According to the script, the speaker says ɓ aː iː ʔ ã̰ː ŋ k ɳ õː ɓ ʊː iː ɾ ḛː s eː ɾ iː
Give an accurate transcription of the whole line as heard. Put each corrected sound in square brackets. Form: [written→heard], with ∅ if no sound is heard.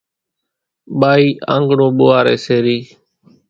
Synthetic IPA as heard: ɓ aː iː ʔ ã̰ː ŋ [k→ɡ] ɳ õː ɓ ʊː [iː→aː] ɾ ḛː s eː ɾ iː